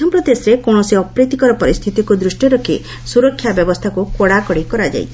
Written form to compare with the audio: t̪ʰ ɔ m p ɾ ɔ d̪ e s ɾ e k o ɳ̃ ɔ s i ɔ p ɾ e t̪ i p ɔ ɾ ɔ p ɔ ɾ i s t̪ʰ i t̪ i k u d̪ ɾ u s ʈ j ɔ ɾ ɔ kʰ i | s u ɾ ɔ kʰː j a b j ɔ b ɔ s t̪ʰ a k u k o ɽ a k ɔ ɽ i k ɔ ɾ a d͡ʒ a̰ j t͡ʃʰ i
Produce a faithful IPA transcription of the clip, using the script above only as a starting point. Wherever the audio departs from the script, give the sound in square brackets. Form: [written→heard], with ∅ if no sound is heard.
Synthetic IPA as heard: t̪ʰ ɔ m p ɾ ɔ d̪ e s ɾ e k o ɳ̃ ɔ s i ɔ p ɾ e t̪ i [p→k] ɔ ɾ ɔ p ɔ ɾ i s t̪ʰ i t̪ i k u d̪ ɾ u s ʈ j ɔ ɾ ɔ kʰ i | s u ɾ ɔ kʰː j a b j ɔ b ɔ s t̪ʰ a k u k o ɽ a k ɔ ɽ i k ɔ ɾ a d͡ʒ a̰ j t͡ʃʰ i